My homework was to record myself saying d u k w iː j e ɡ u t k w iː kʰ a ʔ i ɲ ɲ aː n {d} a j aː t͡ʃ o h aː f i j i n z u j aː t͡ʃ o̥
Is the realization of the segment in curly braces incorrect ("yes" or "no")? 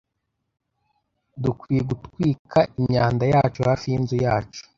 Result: no